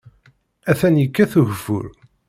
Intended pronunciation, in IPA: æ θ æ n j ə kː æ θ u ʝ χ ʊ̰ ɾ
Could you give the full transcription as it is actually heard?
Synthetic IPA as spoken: æ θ æ n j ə kː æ θ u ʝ f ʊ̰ ɾ

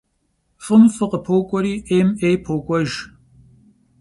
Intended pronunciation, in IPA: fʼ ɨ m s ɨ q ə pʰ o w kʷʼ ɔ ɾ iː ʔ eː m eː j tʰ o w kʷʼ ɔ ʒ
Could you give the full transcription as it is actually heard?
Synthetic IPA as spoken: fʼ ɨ m f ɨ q ə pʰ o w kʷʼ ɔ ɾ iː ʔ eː m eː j pʰ o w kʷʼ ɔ ʒ

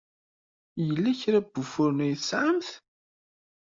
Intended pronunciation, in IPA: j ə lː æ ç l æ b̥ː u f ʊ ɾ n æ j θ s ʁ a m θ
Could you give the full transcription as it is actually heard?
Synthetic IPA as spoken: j ə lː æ ç ɾ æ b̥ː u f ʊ ɾ n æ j θ s ʕ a m θ

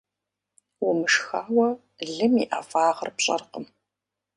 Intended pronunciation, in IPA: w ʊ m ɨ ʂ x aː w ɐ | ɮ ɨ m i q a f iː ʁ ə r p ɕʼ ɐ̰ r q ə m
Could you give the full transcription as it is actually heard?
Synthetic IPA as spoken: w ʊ m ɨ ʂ x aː w ɐ | ɮ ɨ m i ʔ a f aː ʁ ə r p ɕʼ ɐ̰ r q ə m

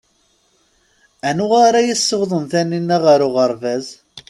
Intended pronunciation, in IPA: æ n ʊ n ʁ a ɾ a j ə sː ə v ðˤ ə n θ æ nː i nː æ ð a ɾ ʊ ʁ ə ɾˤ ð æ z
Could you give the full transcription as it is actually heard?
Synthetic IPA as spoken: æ n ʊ ʁ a ɾ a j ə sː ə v ðˤ ə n θ æ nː i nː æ ʁ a ɾ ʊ ʁ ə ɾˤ v æ z

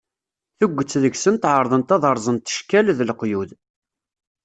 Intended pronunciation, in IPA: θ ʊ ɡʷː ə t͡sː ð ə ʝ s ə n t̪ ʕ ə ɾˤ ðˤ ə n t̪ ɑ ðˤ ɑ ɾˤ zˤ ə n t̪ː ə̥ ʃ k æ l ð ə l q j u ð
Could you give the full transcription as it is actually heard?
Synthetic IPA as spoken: θ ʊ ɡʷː ə t͡sː ð ə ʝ s ə n t̪ ʕ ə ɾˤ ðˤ ə n t̪ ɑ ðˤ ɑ ɾˤ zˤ ə n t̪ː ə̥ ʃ k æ l ð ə l q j u ð

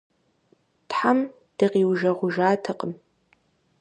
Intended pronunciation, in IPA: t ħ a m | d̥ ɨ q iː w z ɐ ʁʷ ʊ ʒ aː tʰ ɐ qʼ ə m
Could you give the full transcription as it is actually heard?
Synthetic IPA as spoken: t ħ a m | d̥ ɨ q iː w ʒ ɐ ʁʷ ʊ ʒ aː tʰ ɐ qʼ ə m

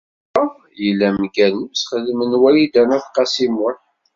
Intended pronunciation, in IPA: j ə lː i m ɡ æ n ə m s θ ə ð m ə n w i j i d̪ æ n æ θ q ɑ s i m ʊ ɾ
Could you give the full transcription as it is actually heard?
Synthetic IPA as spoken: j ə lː æ m ɡ æ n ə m s χ ə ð m ə n w æ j i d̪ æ n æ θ q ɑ s i m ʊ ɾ

